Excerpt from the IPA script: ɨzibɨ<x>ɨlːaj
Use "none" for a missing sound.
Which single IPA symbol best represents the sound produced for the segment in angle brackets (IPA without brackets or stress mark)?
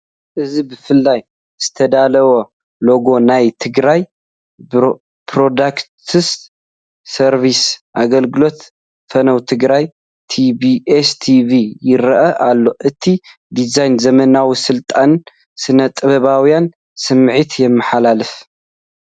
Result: f